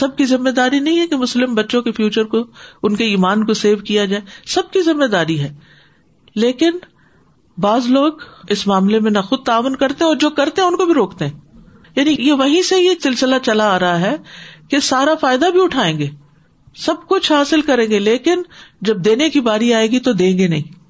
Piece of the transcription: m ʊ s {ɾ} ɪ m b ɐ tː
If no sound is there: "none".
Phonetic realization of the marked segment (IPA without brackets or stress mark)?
l